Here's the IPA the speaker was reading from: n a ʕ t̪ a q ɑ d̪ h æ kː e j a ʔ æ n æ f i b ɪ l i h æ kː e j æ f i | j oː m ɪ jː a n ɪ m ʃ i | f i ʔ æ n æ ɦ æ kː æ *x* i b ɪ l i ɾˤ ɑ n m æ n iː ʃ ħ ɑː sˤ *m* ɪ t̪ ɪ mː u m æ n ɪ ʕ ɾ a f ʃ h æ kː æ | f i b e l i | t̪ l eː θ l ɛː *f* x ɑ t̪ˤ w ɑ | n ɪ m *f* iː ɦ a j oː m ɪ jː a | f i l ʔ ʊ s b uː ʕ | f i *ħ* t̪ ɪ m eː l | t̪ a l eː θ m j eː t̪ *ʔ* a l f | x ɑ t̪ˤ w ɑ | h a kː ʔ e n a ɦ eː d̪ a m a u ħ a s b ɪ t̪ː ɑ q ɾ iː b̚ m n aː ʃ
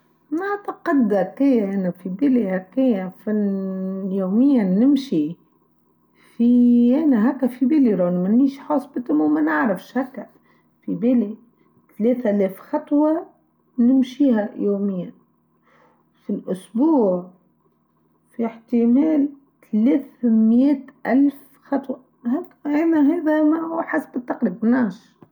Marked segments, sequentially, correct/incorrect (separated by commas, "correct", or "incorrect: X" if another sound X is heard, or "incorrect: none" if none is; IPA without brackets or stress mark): incorrect: f, incorrect: b, correct, incorrect: ʃ, correct, correct